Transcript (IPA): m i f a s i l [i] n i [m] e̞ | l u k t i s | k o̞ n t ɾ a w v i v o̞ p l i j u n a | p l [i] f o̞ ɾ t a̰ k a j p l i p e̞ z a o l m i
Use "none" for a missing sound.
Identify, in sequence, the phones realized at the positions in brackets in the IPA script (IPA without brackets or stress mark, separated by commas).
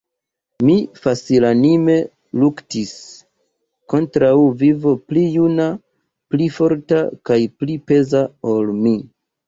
a, m, i